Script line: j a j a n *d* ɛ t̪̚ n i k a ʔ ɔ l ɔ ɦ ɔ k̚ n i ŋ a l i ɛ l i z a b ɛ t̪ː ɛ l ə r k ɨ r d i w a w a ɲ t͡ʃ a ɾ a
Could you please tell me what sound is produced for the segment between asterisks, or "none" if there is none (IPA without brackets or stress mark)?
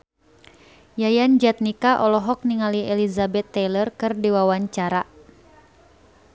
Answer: d͡ʒ